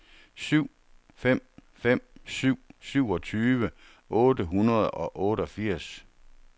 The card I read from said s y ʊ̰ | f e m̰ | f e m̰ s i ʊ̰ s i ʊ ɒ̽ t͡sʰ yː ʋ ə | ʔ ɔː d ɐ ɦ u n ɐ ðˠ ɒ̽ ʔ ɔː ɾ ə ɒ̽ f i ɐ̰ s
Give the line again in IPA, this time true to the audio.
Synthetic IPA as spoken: s y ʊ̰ | f e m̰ | f e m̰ s y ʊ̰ s y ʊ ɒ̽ t͡sʰ yː ʋ ə | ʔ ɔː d ə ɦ u n ɐ ðˠ ɒ̽ ʔ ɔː ɾ ə ɒ̽ f i ɐ̰ s